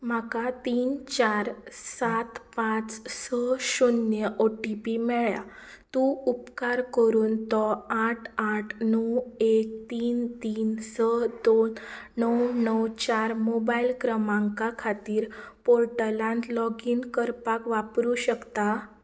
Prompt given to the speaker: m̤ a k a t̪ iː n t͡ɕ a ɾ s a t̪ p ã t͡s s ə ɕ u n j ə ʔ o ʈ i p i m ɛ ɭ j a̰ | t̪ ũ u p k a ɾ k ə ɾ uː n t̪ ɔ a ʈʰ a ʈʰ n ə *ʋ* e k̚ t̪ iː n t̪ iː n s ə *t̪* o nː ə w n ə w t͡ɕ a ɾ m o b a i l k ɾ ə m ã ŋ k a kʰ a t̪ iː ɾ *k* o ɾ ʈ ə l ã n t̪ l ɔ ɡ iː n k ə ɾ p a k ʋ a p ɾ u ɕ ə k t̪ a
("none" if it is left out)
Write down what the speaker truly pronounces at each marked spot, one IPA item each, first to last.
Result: w, d̪, p

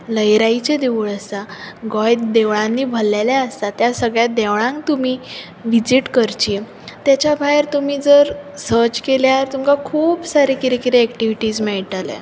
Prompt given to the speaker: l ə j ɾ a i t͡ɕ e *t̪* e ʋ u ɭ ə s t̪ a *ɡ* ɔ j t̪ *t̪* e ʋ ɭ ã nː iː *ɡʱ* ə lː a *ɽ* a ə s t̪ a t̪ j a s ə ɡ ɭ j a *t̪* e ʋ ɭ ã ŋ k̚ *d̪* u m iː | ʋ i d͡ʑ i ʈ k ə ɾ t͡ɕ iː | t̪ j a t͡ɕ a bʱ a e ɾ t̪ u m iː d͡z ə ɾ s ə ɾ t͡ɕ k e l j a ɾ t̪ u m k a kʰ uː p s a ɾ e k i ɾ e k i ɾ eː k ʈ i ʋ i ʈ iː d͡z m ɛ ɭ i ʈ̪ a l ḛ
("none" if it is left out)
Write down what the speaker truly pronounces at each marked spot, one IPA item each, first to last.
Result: d̪, ɡ, d̪, bʱ, l, d̪, t̪

